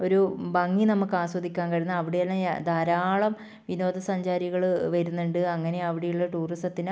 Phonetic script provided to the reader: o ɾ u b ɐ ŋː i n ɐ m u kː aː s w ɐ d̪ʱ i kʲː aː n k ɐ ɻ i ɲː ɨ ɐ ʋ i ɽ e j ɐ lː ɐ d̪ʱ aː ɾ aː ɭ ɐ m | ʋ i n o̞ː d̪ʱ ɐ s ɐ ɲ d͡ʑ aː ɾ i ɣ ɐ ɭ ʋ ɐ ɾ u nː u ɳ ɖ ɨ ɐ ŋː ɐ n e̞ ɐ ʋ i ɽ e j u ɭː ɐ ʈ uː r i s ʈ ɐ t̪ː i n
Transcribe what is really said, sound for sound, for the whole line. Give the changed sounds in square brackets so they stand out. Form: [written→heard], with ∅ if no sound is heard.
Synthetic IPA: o ɾ u b ɐ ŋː i n ɐ m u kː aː s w ɐ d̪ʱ i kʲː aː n k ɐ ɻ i [ɲː→nː] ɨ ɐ ʋ i ɽ e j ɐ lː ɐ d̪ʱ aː ɾ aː ɭ ɐ m | ʋ i n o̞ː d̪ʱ ɐ s ɐ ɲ d͡ʑ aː ɾ i ɣ ɐ ɭ ʋ ɐ ɾ u nː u ɳ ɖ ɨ ɐ ŋː ɐ n e̞ ɐ ʋ i ɽ e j u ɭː ɐ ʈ uː r i s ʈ ɐ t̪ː i n